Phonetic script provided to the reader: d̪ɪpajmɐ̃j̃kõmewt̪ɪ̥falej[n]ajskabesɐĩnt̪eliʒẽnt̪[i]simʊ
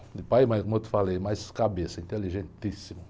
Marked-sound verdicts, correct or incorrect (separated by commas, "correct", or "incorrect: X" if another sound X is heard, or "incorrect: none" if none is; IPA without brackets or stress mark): incorrect: m, correct